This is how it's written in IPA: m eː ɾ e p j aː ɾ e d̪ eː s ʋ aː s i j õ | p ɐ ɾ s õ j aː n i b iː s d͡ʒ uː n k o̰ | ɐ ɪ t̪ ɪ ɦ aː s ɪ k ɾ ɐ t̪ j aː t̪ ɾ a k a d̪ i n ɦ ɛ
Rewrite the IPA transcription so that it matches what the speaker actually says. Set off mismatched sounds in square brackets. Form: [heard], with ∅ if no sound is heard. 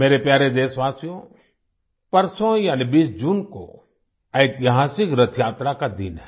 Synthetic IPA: m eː ɾ e p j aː ɾ e d̪ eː s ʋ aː s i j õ | p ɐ ɾ s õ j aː n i b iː s d͡ʒ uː n k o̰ | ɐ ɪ t̪ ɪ ɦ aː s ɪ k ɾ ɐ [t̪ʰ] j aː t̪ ɾ a k a d̪ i n ɦ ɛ